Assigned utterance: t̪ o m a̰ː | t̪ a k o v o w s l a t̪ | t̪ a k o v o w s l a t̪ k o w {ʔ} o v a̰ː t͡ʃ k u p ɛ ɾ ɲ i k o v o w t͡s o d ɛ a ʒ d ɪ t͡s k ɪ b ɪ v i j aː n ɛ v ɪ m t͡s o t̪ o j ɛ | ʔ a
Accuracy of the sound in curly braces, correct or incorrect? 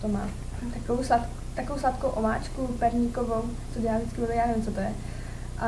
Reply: correct